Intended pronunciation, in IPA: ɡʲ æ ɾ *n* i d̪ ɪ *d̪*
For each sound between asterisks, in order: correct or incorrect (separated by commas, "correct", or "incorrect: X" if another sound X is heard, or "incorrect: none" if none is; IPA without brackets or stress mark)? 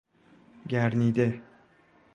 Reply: correct, incorrect: none